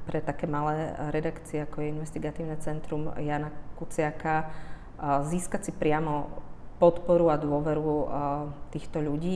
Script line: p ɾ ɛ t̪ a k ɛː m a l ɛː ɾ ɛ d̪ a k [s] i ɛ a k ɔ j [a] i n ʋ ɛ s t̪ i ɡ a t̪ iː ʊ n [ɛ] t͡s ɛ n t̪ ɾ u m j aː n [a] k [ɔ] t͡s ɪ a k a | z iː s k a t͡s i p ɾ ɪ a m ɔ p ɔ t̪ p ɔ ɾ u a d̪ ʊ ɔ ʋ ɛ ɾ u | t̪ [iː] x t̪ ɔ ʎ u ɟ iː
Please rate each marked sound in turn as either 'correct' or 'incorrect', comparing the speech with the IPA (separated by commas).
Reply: incorrect, incorrect, correct, correct, incorrect, correct